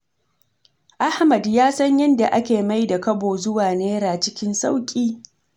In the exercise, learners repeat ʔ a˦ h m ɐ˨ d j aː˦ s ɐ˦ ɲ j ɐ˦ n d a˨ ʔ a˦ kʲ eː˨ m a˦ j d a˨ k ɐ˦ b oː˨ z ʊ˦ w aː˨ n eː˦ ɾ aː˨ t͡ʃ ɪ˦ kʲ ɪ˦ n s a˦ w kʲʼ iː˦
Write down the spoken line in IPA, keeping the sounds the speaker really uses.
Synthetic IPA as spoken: ʔ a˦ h m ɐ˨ d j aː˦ s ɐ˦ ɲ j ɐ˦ n d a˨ ʔ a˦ kʲ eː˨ m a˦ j d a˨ k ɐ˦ b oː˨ z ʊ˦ w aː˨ n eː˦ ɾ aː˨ t͡ʃ ɪ˦ kʲ ɪ˦ n s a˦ w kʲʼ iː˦